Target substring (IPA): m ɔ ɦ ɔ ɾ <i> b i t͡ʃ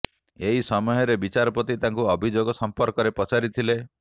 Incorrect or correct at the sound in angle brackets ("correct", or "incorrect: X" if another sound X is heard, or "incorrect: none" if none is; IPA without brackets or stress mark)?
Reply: incorrect: e